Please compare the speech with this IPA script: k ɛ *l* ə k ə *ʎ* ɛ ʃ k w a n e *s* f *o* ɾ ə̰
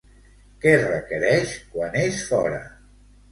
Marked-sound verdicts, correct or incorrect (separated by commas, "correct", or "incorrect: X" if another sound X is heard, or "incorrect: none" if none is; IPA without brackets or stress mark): incorrect: r, incorrect: ɾ, incorrect: ʃ, incorrect: ɔ